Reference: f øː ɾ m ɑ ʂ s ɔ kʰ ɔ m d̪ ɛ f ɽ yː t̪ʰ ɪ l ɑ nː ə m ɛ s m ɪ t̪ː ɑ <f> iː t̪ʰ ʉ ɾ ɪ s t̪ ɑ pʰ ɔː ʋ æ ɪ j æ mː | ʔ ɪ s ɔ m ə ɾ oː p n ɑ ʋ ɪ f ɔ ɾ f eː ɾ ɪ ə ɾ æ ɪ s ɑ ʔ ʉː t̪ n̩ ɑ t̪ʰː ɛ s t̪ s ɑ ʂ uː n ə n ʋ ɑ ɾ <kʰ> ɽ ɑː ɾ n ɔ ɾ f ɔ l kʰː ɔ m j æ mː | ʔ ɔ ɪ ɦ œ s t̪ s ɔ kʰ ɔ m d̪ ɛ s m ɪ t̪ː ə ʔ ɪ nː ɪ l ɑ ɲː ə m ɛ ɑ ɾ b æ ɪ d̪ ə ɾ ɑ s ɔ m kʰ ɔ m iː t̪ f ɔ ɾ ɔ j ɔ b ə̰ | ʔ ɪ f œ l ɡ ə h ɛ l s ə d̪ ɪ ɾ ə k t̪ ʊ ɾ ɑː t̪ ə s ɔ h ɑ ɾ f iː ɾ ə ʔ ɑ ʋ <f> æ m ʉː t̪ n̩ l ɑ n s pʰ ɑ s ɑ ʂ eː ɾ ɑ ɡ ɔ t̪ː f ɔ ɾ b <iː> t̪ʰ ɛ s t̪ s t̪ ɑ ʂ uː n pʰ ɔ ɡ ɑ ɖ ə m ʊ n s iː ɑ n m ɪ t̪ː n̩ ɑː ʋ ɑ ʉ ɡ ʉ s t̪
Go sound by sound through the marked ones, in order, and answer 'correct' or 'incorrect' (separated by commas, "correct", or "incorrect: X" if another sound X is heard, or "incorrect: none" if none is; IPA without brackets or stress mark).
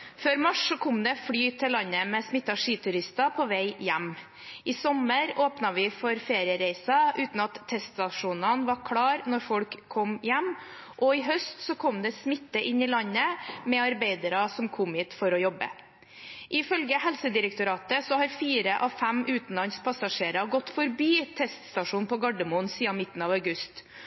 incorrect: ʂ, correct, correct, correct